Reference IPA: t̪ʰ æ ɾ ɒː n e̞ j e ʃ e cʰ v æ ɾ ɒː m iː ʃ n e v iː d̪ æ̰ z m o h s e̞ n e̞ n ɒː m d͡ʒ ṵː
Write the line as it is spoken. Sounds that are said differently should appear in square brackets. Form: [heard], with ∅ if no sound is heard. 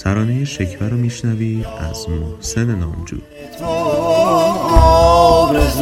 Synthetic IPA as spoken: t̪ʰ æ ɾ ɒː n e̞ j e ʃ e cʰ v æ ɾ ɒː m iː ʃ n [æ] v iː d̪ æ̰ z m o h s e̞ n e̞ n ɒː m d͡ʒ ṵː